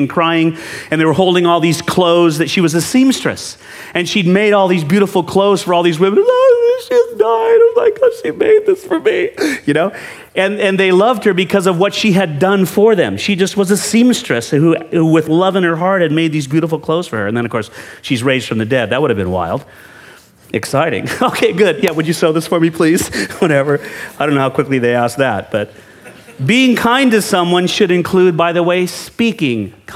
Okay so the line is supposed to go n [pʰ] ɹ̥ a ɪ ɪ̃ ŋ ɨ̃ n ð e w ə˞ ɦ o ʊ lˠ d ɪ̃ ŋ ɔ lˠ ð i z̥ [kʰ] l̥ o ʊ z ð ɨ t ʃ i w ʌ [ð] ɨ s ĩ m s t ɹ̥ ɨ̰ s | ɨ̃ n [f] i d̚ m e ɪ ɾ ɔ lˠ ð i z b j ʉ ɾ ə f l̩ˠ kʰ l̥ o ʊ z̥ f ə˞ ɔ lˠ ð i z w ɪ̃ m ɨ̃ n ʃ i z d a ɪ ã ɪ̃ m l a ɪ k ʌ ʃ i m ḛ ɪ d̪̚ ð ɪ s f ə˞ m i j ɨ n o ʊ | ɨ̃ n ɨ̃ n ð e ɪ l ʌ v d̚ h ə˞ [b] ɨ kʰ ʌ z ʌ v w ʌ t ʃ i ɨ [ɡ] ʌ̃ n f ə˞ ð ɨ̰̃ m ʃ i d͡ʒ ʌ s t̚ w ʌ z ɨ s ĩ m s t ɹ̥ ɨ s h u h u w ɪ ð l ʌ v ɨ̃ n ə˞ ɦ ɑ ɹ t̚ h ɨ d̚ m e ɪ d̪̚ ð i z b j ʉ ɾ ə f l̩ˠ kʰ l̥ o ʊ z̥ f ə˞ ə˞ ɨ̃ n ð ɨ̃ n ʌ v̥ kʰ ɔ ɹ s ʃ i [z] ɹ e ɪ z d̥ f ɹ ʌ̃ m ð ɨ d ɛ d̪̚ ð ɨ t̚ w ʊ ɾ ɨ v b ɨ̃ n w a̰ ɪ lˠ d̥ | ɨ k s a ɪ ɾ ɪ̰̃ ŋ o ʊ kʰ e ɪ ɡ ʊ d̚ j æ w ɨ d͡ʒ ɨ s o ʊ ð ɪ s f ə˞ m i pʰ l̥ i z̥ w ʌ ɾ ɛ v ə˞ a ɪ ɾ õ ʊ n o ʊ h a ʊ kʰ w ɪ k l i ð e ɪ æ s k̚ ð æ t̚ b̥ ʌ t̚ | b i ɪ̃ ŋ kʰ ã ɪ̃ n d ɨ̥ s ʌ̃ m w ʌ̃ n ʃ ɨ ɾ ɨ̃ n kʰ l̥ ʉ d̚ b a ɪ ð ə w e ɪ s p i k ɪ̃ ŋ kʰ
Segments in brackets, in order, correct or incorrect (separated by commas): incorrect, correct, incorrect, incorrect, correct, incorrect, correct